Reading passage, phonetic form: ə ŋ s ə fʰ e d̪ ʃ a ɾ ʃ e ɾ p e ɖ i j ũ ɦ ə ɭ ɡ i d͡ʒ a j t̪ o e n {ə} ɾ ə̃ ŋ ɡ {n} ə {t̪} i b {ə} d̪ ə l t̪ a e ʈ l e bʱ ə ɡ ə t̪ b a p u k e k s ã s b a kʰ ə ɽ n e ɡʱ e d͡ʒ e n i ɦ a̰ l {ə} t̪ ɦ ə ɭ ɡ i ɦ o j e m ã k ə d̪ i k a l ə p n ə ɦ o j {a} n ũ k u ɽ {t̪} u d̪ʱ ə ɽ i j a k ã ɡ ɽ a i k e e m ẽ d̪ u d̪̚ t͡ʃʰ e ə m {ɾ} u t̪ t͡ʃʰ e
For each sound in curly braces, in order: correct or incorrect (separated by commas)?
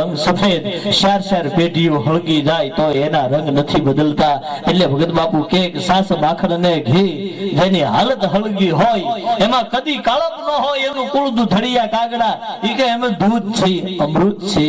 incorrect, correct, incorrect, correct, correct, incorrect, incorrect, correct